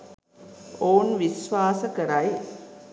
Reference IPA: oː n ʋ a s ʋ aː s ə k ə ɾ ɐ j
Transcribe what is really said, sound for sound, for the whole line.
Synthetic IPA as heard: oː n ʋ i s ʋ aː s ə k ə ɾ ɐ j